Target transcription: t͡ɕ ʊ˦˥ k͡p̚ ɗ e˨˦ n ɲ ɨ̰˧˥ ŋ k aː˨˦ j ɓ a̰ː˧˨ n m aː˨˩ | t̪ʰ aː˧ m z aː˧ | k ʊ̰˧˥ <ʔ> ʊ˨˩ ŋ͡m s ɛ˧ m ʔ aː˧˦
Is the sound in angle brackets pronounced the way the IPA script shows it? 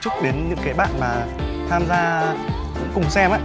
no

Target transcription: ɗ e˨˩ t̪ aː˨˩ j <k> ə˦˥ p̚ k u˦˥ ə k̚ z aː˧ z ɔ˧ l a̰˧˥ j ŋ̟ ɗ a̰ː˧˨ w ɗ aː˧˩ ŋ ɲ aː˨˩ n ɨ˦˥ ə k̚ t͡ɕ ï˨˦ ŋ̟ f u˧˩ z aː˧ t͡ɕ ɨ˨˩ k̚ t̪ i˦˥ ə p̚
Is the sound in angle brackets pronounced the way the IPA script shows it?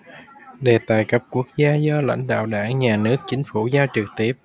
yes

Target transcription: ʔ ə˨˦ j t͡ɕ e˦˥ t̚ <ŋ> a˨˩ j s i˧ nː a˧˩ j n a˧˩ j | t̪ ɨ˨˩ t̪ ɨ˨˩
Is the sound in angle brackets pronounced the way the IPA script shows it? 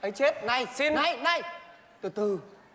no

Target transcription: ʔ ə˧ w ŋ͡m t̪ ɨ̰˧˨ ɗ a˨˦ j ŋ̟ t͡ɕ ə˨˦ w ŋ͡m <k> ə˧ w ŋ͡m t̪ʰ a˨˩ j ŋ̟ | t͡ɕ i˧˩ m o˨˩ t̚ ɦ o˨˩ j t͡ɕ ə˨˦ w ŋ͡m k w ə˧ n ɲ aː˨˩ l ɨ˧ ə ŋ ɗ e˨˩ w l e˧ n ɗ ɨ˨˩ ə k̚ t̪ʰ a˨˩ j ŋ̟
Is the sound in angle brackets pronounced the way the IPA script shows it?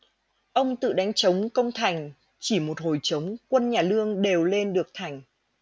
yes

